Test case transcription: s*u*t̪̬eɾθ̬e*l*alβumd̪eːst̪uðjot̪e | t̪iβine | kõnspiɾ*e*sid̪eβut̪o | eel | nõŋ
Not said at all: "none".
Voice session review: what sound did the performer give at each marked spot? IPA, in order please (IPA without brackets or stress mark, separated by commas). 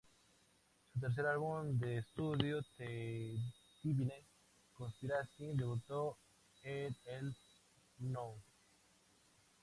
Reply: u, ɾ, a